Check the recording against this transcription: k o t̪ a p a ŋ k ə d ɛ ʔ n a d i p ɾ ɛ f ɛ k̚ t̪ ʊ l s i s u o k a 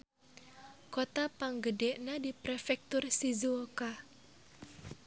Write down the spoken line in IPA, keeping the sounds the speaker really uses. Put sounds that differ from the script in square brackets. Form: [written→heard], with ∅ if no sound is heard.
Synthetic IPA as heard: k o t̪ a p a ŋ [k→ɡ] ə d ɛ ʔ n a d i p ɾ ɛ f ɛ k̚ t̪ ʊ [l→r] s i [s→z] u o k a